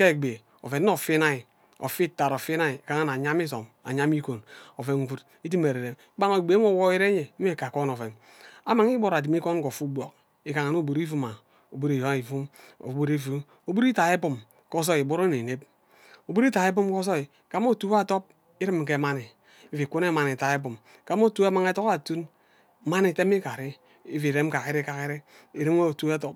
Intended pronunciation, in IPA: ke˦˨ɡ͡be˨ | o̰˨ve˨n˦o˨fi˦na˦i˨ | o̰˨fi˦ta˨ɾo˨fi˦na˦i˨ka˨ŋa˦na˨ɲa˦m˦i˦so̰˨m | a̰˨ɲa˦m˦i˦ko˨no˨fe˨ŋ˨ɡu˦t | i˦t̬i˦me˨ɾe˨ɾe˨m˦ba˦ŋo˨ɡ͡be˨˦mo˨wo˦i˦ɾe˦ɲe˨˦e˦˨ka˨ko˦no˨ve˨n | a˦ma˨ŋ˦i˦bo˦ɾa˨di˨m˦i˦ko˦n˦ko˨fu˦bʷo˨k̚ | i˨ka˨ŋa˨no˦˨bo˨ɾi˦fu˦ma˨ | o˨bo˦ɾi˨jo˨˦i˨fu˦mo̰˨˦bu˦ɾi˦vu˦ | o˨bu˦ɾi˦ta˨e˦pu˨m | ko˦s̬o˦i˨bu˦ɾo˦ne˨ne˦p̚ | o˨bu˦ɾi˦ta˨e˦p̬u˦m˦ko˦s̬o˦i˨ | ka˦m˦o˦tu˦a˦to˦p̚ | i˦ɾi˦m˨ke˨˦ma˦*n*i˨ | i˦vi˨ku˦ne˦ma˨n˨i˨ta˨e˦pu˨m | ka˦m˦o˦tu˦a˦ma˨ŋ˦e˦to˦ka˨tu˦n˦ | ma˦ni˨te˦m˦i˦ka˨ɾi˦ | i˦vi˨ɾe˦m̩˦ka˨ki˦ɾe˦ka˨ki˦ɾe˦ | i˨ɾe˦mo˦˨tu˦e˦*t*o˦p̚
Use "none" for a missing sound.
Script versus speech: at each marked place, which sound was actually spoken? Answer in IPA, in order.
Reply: n, t

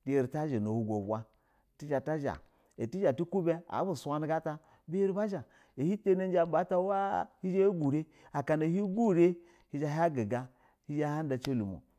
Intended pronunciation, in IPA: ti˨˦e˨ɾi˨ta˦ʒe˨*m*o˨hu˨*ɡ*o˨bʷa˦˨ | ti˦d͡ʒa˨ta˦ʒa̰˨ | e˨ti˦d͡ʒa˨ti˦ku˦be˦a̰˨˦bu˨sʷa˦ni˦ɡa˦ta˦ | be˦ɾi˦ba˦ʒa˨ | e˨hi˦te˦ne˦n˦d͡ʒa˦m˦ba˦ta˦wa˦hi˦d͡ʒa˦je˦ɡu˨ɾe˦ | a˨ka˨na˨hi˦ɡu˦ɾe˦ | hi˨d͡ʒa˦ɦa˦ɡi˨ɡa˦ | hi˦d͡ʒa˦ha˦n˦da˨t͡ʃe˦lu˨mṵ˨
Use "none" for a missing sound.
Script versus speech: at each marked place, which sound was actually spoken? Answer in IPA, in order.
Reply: n, ɡ

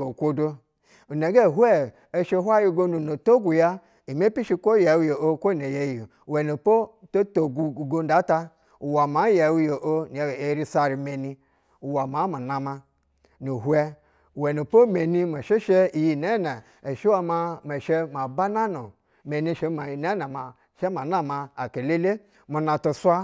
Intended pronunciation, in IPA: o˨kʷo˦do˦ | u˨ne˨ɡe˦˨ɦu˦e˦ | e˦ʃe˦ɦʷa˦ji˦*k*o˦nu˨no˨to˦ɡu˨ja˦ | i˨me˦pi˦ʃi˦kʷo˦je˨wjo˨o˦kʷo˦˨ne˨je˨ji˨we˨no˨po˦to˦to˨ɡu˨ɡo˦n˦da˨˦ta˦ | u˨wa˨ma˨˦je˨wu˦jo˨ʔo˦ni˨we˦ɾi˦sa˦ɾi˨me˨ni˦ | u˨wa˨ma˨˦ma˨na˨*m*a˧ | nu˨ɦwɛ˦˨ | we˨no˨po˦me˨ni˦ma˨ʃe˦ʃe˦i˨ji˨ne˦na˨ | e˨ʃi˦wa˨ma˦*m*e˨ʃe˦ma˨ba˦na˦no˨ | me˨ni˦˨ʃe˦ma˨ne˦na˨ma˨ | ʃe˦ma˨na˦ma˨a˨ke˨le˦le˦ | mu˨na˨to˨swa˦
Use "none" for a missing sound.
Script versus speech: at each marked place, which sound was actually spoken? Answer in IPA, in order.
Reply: ɡ, m, m

